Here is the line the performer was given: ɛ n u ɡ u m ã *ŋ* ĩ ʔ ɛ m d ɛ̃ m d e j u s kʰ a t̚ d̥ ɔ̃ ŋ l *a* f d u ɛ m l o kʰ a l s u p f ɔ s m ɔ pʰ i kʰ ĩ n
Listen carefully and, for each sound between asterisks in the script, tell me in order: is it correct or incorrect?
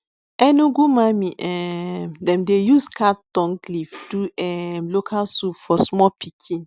incorrect: m, incorrect: i

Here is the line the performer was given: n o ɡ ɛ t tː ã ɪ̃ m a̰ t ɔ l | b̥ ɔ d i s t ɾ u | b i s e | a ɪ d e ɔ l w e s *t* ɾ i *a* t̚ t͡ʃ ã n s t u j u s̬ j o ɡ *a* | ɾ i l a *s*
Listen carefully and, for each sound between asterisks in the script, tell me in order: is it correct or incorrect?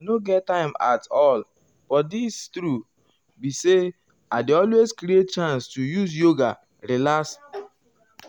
incorrect: k, incorrect: e, correct, correct

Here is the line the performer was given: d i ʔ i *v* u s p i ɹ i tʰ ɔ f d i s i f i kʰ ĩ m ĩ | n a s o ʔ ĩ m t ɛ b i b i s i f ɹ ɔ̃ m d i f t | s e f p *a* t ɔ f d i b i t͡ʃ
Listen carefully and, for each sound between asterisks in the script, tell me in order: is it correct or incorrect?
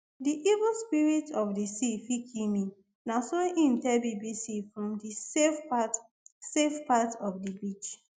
correct, correct

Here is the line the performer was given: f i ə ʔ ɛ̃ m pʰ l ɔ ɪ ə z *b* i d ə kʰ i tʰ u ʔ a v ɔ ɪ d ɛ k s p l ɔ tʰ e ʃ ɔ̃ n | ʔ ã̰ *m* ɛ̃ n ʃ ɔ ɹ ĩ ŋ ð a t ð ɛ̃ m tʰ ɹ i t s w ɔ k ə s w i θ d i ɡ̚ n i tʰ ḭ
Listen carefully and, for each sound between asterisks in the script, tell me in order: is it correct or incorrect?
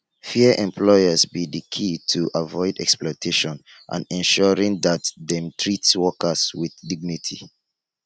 correct, incorrect: n

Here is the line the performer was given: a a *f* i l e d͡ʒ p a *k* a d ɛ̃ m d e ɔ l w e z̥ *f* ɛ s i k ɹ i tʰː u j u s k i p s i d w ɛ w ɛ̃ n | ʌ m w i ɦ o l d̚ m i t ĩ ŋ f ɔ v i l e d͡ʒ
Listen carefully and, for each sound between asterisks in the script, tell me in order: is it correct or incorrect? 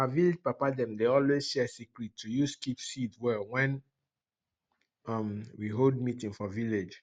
incorrect: v, incorrect: p, incorrect: ʃ

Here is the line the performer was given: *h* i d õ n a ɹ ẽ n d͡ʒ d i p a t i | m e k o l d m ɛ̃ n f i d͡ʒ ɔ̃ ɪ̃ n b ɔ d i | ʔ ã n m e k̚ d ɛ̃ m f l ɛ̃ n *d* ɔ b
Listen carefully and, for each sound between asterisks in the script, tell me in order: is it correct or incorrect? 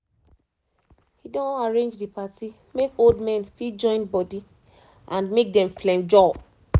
correct, incorrect: d͡ʒ

